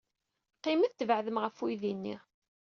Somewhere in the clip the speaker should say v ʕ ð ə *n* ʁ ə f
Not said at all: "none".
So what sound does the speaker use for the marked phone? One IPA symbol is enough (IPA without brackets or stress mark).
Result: m